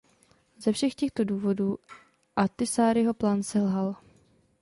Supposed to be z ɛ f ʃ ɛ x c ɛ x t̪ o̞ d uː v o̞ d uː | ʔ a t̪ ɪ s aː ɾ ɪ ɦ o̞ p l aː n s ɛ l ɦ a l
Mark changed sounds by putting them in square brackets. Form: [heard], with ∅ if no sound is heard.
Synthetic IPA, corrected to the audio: z ɛ f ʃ ɛ x c ɛ x t̪ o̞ d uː v o̞ d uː | ʔ a t̪ ɪ s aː ɾ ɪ ɦ o̞ p l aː n s ɛ l ɦ a l